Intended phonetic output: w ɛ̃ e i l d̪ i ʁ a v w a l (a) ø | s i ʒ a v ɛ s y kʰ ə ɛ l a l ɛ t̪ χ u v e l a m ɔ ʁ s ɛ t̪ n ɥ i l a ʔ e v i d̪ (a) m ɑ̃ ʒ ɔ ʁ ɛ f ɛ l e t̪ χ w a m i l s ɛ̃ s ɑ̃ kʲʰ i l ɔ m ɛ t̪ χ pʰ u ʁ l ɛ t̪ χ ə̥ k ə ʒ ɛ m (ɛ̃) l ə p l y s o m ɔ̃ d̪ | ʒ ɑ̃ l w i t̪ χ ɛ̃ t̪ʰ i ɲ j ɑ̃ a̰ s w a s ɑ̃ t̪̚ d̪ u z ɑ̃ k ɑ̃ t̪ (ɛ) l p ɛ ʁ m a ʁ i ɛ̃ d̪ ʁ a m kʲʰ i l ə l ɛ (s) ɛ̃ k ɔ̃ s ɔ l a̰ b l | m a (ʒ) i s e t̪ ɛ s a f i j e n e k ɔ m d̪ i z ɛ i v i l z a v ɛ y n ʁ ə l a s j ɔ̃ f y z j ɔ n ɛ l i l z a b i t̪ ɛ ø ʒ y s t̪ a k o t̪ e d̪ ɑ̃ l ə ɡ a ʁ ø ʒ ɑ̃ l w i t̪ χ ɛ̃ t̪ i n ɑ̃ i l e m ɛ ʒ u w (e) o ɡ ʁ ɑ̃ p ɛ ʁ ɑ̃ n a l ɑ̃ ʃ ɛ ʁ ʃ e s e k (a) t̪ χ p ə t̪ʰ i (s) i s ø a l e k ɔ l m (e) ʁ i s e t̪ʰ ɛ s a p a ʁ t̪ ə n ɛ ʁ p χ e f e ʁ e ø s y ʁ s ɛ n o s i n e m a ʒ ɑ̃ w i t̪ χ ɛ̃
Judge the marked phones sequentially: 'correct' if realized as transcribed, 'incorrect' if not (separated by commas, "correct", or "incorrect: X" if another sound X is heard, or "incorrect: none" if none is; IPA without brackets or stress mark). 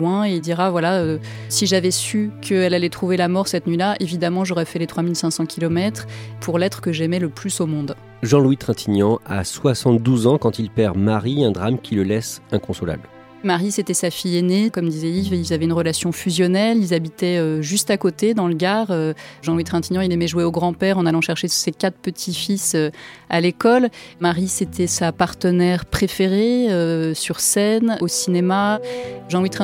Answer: correct, correct, incorrect: ɛ, incorrect: i, correct, incorrect: ʁ, correct, correct, incorrect: f, incorrect: a